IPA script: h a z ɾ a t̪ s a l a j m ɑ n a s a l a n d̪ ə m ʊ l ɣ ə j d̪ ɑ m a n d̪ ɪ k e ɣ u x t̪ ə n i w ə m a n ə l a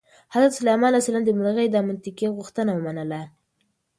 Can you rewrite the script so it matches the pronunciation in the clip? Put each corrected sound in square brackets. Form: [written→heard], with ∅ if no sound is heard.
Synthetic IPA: h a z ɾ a t̪ s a l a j m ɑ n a s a l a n d̪ ə m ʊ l ɣ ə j d̪ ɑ m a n [d̪→t̪] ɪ k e ɣ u x t̪ ə n [i→a] w ə m a n ə l a